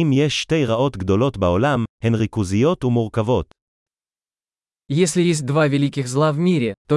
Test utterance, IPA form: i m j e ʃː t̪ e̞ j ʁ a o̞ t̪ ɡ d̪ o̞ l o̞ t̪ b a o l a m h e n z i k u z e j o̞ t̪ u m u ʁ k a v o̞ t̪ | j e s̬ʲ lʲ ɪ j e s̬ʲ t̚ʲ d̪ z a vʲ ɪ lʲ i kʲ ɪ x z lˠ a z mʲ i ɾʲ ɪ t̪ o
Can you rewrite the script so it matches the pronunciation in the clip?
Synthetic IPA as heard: i m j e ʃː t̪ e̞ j ʁ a o̞ t̪ ɡ d̪ o̞ l o̞ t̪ b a o l a m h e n ʁ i k u z i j o̞ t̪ u m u ʁ k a v o̞ t̪ | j e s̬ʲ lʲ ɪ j e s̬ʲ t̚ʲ d̪ v a vʲ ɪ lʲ i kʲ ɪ x z lˠ a v mʲ i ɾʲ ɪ t̪ o